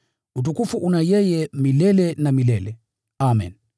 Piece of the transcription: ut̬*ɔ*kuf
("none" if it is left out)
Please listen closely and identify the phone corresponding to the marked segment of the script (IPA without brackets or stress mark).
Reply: u